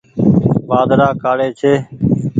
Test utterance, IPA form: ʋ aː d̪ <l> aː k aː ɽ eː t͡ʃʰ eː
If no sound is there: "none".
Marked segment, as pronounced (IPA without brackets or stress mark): ɾ